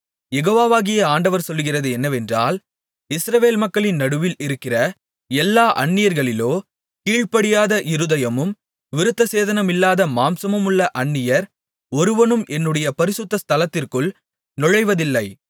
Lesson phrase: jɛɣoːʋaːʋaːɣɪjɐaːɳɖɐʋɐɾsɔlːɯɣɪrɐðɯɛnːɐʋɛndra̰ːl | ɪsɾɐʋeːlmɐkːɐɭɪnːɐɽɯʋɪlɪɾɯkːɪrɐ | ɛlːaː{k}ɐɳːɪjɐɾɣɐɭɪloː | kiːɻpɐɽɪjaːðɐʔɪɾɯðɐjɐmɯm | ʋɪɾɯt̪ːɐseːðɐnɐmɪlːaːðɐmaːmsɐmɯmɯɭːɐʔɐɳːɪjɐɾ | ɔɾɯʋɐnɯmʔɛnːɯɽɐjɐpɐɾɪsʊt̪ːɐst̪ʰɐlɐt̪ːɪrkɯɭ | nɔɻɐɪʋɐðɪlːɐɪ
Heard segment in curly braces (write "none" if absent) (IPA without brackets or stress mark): ʔ